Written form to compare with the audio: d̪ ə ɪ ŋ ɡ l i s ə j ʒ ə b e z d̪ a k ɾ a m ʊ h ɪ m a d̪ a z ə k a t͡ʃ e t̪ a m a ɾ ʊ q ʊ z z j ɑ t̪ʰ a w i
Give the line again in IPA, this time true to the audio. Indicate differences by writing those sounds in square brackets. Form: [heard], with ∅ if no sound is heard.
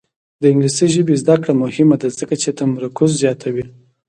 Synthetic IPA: d̪ ə ɪ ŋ ɡ l i s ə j ʒ ə b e z d̪ a k [ɽ] a m ʊ h ɪ m a d̪ a z ə k a t͡ʃ e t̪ a m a ɾ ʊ [k] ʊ z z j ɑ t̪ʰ a w i